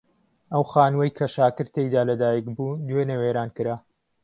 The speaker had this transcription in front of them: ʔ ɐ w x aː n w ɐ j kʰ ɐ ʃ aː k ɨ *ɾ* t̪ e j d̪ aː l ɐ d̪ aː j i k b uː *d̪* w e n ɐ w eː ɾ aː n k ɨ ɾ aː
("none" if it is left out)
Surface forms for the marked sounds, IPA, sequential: ɾ, d̪

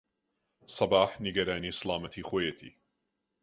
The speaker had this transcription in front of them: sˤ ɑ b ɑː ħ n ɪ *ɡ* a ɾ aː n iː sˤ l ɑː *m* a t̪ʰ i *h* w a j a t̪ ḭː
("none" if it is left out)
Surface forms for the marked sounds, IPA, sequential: ɡ, m, x

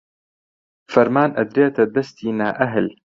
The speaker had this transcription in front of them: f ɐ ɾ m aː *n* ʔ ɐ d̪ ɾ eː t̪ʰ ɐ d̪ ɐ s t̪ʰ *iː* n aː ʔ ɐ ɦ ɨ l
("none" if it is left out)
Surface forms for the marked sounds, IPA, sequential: n, iː

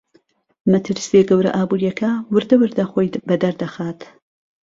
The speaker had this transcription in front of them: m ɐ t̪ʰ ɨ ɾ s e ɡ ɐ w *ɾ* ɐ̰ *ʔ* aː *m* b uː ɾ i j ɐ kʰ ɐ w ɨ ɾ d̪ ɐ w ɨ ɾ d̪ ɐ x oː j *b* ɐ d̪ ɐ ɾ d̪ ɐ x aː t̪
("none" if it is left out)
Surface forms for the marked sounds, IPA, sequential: ɾ, ʔ, none, b

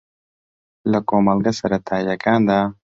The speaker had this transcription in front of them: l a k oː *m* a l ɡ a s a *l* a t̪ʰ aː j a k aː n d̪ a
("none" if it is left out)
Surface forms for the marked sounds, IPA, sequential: m, ɾ

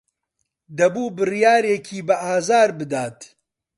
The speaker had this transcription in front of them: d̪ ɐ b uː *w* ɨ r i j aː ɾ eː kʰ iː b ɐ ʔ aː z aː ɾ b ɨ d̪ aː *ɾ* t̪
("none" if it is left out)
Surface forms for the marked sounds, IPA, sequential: b, none

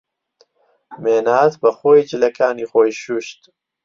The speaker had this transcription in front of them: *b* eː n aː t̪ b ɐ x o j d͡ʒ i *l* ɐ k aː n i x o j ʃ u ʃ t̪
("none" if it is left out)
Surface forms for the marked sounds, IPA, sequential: m, l

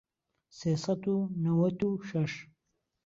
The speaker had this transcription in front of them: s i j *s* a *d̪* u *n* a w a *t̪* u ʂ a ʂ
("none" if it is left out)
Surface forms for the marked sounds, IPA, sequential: s, t̪, n, t̪

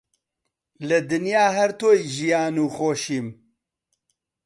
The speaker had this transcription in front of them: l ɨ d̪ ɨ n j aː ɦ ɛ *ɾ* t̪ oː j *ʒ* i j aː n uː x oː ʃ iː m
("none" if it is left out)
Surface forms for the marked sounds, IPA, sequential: ɾ, ʒ

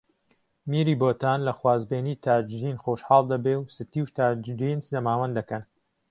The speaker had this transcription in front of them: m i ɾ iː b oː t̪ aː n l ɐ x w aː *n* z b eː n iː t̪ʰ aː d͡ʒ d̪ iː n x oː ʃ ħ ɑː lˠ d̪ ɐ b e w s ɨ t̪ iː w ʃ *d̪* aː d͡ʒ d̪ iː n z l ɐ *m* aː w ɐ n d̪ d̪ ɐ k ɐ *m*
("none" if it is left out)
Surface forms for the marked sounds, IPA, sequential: none, t̪, m, n

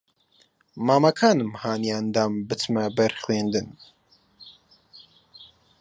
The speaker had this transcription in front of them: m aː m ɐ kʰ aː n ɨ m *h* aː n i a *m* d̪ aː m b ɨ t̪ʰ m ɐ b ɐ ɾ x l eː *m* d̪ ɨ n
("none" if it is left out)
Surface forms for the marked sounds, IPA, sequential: h, n, n

